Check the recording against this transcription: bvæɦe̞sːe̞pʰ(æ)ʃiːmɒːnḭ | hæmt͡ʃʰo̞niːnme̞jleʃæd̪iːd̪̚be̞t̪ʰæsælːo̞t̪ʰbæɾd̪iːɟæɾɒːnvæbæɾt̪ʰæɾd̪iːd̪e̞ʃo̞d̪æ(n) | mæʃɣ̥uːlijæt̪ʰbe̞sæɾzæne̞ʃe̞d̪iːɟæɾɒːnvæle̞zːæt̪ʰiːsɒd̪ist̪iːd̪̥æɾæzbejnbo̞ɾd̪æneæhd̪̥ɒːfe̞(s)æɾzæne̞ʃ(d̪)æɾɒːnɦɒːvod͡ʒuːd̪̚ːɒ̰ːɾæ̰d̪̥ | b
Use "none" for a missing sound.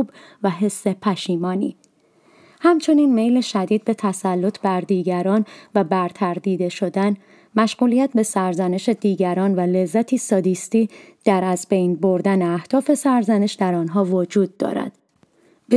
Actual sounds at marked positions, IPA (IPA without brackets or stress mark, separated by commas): æ, n, s, d̪